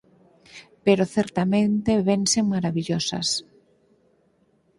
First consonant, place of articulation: labial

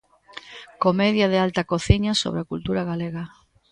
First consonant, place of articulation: velar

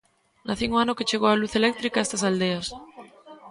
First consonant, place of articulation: alveolar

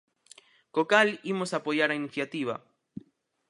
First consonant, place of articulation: velar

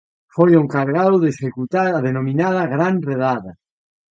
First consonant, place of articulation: labial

